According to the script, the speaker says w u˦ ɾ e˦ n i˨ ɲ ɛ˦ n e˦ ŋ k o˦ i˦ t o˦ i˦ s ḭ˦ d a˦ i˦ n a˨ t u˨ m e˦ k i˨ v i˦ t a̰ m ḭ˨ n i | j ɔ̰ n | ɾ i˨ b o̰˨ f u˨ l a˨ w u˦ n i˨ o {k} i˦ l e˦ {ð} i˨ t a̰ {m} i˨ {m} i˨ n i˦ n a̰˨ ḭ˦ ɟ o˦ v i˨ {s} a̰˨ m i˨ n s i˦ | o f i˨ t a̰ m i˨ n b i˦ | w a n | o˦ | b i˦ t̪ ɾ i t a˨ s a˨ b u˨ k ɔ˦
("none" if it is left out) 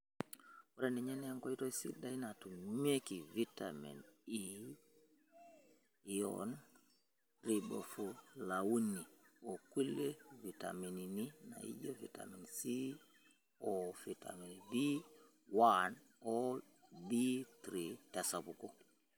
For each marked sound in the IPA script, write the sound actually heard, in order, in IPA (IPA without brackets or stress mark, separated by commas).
k, v, m, n, t